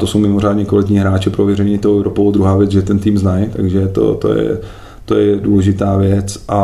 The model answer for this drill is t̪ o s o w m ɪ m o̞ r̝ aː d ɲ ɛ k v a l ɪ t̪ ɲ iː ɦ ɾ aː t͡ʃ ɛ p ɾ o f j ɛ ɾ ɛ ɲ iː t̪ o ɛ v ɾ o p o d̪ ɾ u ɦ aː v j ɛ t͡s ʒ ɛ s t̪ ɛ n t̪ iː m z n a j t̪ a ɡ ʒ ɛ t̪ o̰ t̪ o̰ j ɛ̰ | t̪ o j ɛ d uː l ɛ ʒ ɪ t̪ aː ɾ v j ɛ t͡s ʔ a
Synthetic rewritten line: t̪ o s o w m ɪ m o̞ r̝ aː d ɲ ɛ k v a l ɪ t̪ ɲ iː ɦ ɾ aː t͡ʃ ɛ p ɾ o v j ɛ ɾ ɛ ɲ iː t̪ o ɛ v ɾ o p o d̪ ɾ u ɦ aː v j ɛ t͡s ʒ ɛ t̪ ɛ n t̪ iː m z n a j t̪ a ɡ ʒ ɛ t̪ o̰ t̪ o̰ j ɛ̰ | t̪ o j ɛ d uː l ɛ ʒ ɪ t̪ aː v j ɛ t͡s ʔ a